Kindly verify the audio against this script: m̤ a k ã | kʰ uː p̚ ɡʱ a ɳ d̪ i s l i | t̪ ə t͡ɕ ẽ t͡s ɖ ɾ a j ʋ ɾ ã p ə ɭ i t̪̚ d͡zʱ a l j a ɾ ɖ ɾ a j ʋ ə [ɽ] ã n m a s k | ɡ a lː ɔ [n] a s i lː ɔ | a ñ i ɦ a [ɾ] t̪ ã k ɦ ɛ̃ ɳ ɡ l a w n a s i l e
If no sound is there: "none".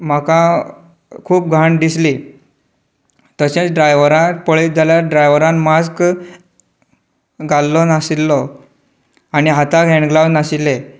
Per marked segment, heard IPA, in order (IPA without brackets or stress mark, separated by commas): ɾ, n, none